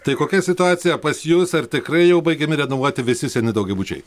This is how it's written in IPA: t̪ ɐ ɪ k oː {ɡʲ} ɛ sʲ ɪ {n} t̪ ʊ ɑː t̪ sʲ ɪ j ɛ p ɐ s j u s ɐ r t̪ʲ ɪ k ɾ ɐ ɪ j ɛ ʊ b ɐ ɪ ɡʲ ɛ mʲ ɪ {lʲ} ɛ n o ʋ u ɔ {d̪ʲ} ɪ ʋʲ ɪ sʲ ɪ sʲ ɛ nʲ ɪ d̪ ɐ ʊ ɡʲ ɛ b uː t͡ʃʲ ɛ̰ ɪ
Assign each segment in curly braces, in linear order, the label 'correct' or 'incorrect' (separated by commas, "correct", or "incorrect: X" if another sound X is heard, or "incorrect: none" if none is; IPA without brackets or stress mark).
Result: incorrect: kʲ, incorrect: none, incorrect: ɾʲ, incorrect: t̪ʲ